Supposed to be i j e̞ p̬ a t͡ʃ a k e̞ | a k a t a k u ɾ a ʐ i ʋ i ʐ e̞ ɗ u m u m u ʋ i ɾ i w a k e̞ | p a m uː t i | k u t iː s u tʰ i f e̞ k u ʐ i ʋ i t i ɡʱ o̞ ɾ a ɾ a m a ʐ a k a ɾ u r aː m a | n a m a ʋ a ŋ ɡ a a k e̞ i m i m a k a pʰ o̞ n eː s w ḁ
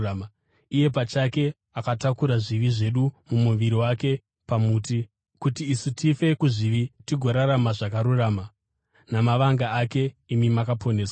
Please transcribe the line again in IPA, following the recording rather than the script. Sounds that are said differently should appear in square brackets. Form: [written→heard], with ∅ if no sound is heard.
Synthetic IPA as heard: i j e̞ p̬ a t͡ʃ a k e̞ | a k a t a k u ɾ a ʐ i ʋ i ʐ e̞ ɗ u m u m u ʋ i ɾ i w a k e̞ | p a m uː t i | k u t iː s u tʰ i f e̞ k u ʐ i ʋ i t i ɡʱ o̞ ɾ a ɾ a m a ʐ a k a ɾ u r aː m a | n a m a ʋ a ŋ ɡ a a k e̞ i m i m a k a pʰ o̞ n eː s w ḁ